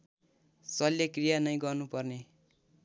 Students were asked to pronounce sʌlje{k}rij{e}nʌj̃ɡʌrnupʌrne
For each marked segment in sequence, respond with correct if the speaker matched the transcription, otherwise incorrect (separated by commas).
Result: correct, incorrect